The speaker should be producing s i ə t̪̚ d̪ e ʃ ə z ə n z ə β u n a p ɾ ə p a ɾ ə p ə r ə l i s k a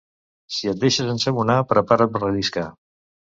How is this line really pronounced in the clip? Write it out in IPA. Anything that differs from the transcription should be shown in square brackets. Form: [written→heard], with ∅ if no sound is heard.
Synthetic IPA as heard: s i ə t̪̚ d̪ e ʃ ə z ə n [z→s] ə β u n a p ɾ ə p a ɾ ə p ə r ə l i s k a